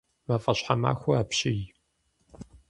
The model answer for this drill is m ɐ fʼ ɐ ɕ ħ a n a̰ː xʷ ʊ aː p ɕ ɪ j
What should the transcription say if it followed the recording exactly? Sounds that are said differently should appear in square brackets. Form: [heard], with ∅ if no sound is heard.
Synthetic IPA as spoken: m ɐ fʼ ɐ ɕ ħ a [m] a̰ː xʷ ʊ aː p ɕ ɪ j